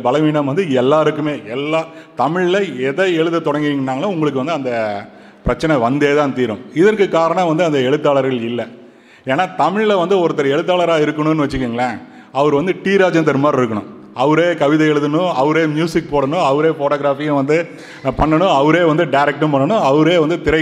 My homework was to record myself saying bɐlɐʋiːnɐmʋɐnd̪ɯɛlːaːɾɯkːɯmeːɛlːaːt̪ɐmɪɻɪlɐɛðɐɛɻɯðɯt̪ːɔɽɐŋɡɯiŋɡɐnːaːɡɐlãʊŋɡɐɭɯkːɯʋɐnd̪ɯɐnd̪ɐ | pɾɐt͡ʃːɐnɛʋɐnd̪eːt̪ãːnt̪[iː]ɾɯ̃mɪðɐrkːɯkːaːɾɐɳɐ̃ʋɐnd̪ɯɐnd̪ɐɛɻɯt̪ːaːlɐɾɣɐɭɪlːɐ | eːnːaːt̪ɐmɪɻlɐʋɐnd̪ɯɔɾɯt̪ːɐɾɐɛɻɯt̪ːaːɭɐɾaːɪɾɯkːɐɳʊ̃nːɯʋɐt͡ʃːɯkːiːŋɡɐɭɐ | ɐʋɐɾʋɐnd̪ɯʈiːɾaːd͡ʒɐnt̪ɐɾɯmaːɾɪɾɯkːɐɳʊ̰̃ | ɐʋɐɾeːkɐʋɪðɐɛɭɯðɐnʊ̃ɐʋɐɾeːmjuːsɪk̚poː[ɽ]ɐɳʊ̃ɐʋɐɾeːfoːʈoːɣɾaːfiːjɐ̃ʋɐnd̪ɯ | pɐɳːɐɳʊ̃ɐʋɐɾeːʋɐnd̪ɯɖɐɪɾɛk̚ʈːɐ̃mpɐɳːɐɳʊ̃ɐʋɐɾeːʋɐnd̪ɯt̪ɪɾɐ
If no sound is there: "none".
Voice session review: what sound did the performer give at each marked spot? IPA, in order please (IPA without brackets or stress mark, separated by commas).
iː, ɽ